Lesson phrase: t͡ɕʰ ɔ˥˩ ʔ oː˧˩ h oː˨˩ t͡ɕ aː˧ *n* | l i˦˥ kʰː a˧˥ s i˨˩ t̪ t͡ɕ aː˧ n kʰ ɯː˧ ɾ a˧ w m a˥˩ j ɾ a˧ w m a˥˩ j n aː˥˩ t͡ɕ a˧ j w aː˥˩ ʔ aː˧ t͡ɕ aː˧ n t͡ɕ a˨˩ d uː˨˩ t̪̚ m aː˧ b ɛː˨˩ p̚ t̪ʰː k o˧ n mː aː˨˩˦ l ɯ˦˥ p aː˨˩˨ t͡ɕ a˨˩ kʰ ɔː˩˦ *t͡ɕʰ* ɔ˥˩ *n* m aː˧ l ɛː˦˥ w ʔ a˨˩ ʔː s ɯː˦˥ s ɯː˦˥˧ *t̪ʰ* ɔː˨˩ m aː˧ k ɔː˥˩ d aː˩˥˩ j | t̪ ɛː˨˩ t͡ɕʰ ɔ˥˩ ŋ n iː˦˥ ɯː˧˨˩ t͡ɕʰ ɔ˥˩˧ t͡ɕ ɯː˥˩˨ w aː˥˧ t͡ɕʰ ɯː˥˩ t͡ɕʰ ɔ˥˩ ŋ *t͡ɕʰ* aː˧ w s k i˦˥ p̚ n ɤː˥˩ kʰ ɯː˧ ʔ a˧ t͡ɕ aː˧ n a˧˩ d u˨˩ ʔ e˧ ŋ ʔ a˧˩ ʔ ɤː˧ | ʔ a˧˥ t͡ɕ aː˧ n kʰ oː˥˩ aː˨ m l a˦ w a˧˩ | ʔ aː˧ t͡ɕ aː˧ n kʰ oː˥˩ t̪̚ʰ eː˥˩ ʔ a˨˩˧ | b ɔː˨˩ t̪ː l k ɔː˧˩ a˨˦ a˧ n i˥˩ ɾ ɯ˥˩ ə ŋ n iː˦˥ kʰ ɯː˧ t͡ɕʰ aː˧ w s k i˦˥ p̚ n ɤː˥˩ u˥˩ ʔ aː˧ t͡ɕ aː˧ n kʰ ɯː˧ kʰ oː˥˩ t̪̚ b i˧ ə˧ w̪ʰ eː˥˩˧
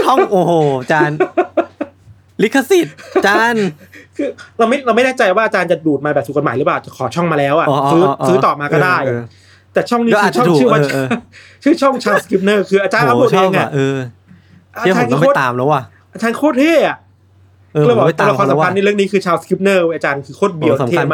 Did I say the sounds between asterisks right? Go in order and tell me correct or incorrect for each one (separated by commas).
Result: correct, correct, incorrect, incorrect, correct